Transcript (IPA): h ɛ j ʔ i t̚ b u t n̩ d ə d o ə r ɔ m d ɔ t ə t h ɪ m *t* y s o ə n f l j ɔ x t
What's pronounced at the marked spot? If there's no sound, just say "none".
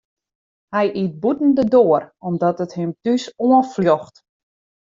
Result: t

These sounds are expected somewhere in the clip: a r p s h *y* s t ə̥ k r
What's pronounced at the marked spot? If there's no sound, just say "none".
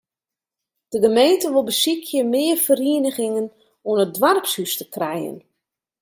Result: y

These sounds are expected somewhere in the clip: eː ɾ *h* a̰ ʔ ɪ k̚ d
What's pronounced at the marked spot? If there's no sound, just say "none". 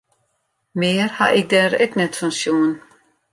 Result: h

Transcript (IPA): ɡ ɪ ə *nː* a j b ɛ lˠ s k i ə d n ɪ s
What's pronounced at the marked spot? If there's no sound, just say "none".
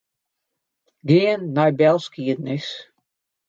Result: nː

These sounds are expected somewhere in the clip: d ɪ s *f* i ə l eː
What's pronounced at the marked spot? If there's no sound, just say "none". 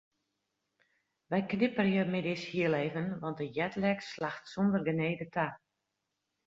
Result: h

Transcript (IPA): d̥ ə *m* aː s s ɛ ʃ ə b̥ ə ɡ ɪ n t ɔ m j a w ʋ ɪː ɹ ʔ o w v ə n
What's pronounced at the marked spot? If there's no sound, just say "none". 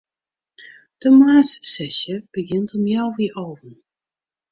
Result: m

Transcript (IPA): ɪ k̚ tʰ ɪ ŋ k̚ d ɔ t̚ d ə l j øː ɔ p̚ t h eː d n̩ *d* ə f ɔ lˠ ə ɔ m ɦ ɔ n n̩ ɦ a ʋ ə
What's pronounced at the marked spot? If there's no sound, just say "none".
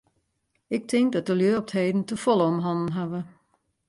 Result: t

